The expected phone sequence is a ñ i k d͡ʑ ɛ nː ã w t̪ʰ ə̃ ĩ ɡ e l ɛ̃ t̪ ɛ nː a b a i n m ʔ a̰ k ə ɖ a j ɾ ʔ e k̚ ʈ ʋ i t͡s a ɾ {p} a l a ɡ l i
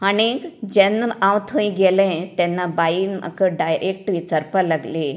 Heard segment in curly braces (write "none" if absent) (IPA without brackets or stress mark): p